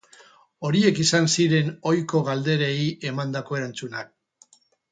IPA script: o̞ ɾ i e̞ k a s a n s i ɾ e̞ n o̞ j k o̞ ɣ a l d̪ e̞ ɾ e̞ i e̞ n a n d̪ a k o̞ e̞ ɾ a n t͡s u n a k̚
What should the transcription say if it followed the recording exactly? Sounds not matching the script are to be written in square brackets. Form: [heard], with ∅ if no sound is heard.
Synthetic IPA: o̞ ɾ i e̞ k [i] s a n s i ɾ e̞ n o̞ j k o̞ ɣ a l d̪ e̞ ɾ e̞ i e̞ [m] a n d̪ a k o̞ e̞ ɾ a n t͡s u n a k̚